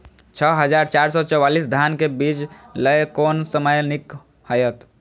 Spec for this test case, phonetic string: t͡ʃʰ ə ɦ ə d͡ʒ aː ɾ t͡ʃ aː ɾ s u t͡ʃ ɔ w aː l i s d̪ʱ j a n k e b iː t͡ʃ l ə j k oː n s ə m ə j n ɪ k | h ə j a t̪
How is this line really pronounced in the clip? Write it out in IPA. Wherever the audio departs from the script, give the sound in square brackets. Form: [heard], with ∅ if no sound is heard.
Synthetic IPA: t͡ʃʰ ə ɦ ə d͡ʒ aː ɾ t͡ʃ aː ɾ s [ɔ] t͡ʃ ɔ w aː l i s d̪ʱ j a n k e b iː t͡ʃ l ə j k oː n s ə m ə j n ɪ k | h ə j [ə] t̪